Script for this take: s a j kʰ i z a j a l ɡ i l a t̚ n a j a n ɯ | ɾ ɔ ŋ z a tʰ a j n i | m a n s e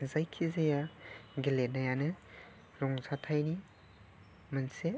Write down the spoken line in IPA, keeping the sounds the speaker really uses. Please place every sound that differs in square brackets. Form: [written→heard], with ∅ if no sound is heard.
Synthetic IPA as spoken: [s→z] a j kʰ i z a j a [l→∅] ɡ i l [a→e] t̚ n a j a n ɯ | ɾ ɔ ŋ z a tʰ a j n i | m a n s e